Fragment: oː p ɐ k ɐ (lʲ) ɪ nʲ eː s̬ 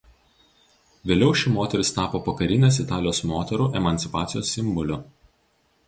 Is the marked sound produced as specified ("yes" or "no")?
no